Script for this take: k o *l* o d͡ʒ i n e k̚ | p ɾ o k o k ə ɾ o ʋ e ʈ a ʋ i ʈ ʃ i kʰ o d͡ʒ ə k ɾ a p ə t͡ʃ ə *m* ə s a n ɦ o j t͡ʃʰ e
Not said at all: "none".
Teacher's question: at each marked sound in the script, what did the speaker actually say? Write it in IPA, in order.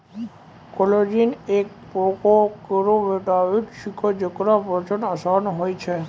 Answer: l, n

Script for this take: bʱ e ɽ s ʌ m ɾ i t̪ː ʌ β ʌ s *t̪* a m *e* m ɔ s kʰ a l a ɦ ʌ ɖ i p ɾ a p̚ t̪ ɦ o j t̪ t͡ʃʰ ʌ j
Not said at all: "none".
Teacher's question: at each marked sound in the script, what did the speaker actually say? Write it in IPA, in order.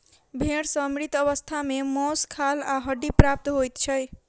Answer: t̪ʰ, e

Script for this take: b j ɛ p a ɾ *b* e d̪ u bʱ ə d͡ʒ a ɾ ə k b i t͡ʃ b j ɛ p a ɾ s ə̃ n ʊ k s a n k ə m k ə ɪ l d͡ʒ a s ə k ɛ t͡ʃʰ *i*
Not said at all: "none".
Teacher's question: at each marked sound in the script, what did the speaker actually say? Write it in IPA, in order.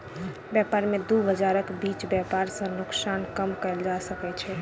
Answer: m, ɛ

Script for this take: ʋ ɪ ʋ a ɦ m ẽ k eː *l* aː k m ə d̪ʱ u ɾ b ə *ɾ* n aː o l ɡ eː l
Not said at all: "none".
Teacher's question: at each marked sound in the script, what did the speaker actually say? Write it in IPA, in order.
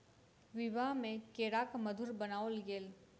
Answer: ɾ, none

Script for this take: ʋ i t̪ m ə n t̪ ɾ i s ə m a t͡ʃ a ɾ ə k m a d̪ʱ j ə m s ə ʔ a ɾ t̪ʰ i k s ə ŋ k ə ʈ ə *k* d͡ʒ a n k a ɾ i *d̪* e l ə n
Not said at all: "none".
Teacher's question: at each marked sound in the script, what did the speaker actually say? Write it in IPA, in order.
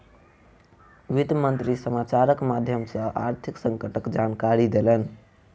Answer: k, d̪

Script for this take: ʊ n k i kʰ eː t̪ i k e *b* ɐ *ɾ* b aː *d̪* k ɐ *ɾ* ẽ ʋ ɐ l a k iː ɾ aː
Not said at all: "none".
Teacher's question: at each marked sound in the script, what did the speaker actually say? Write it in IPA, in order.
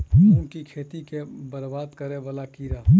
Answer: b, ɾ, d̪, ɾ

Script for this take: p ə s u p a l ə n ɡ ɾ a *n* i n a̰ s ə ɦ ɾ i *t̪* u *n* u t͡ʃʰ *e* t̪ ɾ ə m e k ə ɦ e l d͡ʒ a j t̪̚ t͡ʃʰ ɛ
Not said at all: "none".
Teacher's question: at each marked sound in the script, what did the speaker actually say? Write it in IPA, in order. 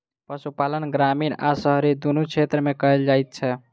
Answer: m, d̪, n, e

